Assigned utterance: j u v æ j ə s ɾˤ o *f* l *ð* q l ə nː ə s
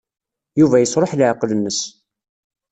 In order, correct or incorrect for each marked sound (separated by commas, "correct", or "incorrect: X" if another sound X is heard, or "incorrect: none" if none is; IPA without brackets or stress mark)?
incorrect: ħ, incorrect: ʕ